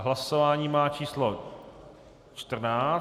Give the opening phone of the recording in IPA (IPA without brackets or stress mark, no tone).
ɦ